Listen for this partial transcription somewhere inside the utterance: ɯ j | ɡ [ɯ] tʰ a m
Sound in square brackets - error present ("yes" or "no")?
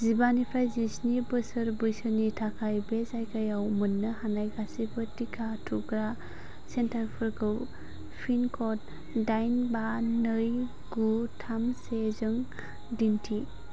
yes